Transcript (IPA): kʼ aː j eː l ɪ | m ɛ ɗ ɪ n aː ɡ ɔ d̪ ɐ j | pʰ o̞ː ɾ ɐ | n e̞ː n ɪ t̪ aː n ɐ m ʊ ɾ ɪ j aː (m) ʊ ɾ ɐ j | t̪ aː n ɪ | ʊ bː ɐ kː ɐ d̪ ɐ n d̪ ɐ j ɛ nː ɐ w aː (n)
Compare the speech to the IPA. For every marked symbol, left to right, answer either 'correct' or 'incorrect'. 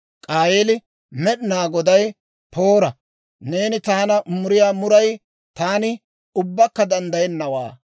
correct, incorrect

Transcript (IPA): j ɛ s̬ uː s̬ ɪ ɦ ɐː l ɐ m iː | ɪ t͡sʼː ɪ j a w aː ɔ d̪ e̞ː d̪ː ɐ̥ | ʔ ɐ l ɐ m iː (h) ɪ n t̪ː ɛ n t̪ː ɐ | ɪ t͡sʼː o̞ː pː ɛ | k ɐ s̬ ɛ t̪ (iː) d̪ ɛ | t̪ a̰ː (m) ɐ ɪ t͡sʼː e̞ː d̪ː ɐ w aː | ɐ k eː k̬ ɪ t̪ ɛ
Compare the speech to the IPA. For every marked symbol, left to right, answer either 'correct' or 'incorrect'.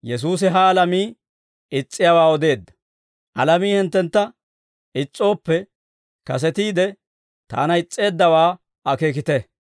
correct, correct, incorrect

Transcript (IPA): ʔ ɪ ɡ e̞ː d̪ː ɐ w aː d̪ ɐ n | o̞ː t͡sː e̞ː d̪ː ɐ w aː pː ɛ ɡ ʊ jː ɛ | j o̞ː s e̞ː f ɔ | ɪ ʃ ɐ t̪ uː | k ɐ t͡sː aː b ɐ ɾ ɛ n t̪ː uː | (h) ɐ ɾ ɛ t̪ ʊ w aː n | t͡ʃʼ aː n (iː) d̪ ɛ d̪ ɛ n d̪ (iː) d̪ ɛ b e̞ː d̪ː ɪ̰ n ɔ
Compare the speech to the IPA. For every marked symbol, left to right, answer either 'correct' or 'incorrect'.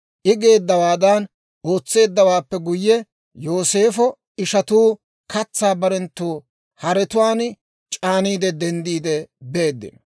correct, correct, correct

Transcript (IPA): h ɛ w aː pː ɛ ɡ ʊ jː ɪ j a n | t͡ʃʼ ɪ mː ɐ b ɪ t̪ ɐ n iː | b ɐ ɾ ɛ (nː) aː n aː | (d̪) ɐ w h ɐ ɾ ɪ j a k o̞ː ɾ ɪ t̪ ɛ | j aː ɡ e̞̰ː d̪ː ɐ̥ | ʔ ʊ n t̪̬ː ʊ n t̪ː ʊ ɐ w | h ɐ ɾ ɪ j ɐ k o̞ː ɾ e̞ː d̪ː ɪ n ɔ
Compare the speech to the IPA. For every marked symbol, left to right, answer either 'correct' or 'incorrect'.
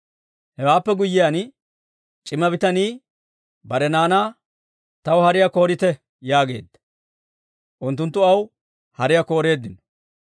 incorrect, incorrect

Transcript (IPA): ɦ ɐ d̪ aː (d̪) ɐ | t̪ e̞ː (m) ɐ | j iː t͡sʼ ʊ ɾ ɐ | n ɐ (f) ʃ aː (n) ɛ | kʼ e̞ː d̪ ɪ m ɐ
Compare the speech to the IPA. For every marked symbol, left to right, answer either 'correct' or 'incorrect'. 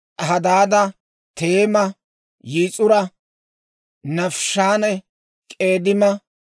correct, correct, correct, correct

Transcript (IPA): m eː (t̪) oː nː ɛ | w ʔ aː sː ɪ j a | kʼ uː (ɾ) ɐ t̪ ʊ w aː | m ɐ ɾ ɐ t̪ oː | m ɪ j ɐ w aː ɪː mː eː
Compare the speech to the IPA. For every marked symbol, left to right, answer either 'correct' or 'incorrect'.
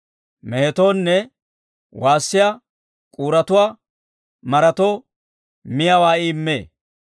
correct, correct

